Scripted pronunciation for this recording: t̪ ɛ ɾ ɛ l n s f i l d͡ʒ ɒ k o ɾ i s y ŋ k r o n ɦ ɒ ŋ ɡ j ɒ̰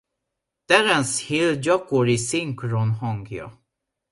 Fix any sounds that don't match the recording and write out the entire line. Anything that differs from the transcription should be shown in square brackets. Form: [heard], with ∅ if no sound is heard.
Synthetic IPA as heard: t̪ ɛ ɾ ɛ [∅] n s [h] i l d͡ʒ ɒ k o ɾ i s [i] ŋ k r o n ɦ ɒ ŋ ɡ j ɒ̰